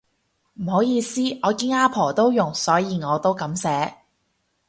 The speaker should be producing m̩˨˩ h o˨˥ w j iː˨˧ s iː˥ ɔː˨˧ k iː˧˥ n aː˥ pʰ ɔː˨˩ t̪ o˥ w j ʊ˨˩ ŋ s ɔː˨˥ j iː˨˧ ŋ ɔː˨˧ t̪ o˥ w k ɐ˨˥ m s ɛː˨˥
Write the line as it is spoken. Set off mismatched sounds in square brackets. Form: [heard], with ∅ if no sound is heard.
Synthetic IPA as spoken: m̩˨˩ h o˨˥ w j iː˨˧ s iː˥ ɔː˨˧ k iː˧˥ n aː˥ pʰ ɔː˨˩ t̪ o˥ w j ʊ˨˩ ŋ s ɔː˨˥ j iː˨˧ ŋ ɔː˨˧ t̪ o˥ w k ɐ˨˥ m s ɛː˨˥